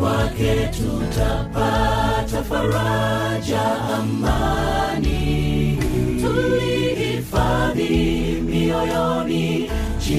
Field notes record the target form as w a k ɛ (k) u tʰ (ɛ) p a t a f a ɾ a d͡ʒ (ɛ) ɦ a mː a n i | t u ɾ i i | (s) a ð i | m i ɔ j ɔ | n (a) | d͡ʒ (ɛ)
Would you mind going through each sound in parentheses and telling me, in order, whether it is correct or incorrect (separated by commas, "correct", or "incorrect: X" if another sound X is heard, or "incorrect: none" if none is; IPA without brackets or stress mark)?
incorrect: t, incorrect: a, incorrect: a, incorrect: f, incorrect: i, incorrect: i